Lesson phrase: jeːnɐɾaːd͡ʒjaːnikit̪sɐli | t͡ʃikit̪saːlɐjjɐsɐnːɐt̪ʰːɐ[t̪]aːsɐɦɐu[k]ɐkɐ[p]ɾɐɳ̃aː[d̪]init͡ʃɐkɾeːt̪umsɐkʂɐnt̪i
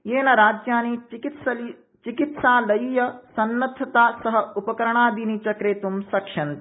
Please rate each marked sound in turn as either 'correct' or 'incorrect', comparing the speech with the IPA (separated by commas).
correct, incorrect, incorrect, correct